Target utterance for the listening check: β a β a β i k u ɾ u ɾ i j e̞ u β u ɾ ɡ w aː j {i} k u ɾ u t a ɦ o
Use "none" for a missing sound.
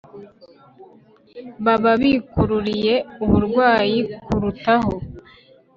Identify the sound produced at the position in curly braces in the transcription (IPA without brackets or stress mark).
i